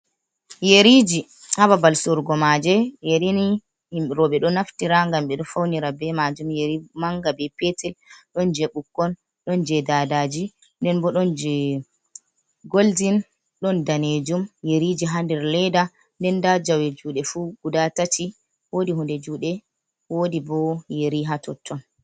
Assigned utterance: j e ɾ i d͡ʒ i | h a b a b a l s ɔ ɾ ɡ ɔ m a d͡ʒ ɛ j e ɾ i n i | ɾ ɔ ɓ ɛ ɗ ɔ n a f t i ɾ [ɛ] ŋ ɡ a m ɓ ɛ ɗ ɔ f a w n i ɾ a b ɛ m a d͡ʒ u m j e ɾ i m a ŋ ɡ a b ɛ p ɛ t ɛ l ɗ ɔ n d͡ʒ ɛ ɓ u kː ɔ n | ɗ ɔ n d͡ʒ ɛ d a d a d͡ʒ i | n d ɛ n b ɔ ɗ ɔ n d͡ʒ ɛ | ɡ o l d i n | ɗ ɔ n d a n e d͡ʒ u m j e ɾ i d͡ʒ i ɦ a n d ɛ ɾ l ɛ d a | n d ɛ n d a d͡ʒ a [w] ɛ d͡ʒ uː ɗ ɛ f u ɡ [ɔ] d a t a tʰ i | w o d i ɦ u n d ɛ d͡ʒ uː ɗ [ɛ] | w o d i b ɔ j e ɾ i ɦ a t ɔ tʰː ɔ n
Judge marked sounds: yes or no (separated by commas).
no, yes, no, yes